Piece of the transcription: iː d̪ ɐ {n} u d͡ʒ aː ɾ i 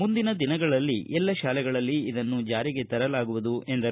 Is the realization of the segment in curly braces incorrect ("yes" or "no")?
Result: yes